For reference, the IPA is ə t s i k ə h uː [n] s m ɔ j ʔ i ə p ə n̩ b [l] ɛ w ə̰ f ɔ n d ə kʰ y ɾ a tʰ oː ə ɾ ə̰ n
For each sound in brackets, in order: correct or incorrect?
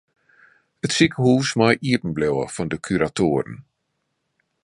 incorrect, correct

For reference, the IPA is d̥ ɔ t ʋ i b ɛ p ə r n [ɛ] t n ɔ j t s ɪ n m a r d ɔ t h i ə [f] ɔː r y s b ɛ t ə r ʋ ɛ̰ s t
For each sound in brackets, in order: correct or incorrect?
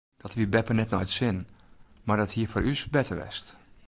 correct, correct

